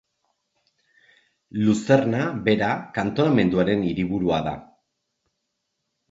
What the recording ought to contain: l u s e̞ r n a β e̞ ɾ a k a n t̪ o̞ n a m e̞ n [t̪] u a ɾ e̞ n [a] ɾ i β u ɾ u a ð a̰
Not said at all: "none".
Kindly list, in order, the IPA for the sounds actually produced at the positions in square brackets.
d̪, i

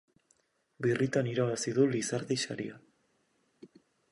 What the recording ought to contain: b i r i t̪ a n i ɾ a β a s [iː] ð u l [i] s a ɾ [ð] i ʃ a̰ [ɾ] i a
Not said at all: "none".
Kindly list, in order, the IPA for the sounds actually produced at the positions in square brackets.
i, i, ð, ɾ

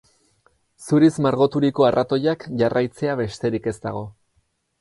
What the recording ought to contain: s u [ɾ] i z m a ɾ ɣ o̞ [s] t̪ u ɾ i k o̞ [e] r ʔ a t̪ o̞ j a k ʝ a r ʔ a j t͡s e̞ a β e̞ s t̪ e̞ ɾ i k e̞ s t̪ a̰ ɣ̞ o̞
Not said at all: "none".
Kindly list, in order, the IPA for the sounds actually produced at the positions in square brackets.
ɾ, none, a

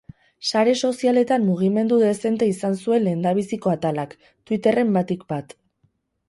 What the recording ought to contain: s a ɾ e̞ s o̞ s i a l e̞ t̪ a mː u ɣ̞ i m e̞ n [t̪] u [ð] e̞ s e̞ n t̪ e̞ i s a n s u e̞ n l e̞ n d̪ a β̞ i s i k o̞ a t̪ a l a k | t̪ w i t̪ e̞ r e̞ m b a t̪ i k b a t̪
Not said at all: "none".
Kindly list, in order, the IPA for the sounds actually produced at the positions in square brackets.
d̪, ð

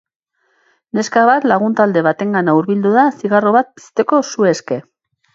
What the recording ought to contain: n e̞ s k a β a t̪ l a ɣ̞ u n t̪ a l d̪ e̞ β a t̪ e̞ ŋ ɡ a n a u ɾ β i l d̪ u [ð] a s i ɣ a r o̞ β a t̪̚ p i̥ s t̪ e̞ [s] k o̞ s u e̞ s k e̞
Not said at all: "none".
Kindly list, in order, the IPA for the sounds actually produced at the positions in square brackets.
ð, none

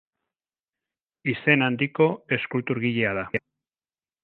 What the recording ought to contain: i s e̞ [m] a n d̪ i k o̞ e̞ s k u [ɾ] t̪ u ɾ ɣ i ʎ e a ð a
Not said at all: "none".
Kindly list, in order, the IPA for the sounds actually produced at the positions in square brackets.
n, l

